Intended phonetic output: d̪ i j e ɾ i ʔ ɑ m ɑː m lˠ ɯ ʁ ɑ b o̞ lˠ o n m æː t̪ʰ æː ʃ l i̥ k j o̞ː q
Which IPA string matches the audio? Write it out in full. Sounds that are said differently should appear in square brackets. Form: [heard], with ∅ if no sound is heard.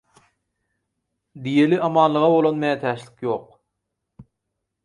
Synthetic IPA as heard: d̪ i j e [l] i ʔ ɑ m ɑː [n] lˠ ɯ ʁ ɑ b o̞ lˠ o n m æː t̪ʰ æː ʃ l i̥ k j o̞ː q